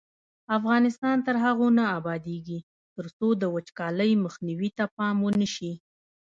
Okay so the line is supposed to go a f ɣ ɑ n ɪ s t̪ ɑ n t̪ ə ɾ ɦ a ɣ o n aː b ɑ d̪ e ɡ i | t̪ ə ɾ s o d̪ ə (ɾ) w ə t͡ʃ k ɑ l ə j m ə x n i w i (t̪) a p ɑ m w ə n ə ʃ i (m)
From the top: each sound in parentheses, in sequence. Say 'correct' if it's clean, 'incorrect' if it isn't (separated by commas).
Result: incorrect, correct, incorrect